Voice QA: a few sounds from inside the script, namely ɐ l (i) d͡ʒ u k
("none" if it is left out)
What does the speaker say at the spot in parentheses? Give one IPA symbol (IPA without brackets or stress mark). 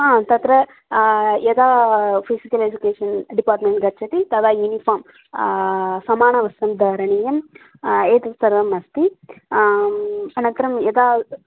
e